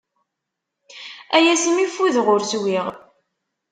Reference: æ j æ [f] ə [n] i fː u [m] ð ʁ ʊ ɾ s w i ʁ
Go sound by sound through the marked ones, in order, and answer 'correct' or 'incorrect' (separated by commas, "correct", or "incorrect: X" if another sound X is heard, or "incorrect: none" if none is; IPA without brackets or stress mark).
incorrect: s, incorrect: m, incorrect: none